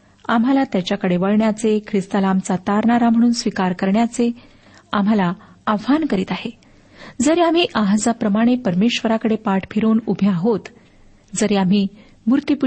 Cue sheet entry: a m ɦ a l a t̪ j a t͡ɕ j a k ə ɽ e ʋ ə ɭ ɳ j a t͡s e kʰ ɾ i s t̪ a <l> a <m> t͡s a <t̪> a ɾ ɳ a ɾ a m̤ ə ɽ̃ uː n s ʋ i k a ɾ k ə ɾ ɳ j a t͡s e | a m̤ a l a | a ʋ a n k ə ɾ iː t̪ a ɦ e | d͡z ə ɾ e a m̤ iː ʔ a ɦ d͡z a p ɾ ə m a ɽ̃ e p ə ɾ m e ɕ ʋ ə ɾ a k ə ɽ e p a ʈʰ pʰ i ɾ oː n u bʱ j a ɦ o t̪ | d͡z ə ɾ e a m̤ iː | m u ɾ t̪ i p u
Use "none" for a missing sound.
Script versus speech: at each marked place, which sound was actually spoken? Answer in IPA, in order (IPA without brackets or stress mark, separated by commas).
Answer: l, m, t̪